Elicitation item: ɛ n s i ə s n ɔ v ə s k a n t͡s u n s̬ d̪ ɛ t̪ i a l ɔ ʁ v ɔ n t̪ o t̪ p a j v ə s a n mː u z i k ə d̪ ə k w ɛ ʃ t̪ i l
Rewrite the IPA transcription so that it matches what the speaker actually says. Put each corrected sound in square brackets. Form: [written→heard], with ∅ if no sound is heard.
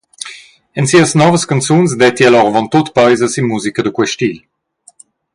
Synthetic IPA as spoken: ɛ n s i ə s n ɔ v ə s k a n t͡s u n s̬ d̪ ɛ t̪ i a l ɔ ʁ v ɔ n t̪ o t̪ p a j [v→z] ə s [a→i] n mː u z i k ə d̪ ə k w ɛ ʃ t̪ i l